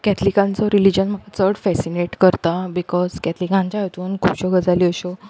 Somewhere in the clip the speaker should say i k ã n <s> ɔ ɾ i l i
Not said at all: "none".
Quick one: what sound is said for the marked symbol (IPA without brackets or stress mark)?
t͡s